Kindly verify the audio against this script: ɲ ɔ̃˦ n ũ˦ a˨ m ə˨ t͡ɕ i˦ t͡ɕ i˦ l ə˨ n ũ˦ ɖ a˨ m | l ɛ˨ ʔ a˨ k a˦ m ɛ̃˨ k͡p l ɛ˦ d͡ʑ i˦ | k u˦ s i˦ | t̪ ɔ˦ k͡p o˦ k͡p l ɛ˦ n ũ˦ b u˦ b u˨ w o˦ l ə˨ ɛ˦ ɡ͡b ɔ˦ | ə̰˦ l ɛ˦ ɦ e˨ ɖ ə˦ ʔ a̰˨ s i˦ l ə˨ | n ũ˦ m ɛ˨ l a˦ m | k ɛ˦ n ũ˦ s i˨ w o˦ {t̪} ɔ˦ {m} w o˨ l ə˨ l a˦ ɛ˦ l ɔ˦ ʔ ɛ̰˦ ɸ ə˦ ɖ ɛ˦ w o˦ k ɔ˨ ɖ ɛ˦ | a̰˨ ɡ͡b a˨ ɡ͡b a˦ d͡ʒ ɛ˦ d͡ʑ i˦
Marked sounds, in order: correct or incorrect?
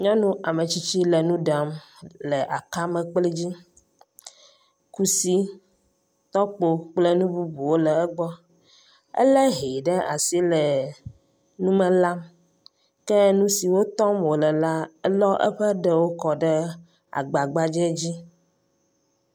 correct, correct

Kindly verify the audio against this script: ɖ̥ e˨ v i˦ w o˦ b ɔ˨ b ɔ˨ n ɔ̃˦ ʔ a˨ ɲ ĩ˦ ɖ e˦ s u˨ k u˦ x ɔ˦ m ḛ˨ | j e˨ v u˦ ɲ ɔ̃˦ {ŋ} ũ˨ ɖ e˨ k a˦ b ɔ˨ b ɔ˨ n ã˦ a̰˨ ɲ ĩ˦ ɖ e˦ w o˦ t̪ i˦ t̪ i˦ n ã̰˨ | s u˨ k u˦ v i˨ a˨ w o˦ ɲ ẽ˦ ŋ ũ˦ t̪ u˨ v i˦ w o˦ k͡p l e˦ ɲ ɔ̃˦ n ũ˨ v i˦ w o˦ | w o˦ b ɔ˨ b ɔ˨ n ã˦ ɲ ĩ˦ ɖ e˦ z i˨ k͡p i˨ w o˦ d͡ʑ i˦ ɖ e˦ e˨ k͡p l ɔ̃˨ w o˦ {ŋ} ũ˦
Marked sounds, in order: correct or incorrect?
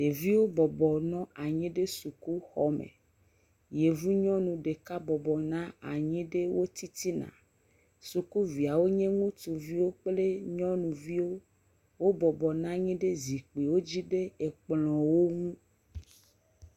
incorrect: n, correct

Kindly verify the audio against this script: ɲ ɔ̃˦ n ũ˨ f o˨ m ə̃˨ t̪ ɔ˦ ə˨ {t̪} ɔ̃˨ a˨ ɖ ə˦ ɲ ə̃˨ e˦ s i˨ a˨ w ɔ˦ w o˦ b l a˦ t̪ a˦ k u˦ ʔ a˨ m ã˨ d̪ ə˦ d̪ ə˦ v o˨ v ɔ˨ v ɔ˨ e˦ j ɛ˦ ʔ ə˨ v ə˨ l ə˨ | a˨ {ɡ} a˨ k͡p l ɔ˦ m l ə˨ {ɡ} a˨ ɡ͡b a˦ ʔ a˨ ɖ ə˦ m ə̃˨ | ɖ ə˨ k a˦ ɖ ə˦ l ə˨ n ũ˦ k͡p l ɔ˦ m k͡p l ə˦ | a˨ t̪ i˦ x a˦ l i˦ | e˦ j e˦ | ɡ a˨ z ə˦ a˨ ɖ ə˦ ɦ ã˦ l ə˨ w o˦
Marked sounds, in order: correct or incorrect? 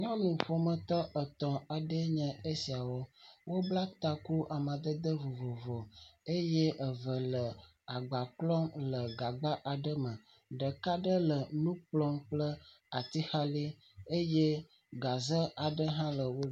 correct, incorrect: ɡ͡b, correct

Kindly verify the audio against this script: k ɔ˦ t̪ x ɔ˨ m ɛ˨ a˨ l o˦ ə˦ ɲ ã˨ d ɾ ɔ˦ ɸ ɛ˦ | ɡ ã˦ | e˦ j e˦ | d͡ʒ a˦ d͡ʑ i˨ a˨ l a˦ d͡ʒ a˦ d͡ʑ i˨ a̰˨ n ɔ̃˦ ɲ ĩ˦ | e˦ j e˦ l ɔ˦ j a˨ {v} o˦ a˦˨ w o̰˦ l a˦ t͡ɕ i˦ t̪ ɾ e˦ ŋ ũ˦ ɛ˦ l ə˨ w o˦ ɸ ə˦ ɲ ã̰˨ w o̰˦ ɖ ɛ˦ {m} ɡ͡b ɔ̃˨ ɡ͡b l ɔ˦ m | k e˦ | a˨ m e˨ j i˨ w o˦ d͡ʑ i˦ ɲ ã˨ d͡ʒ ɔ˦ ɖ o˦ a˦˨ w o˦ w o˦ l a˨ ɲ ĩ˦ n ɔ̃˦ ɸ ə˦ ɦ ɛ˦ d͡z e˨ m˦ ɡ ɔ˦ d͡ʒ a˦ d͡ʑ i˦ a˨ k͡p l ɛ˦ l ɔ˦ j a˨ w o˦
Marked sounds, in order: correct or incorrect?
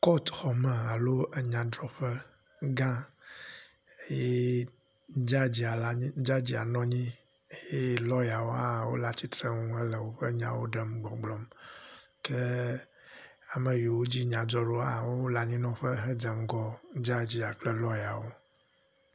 incorrect: w, correct

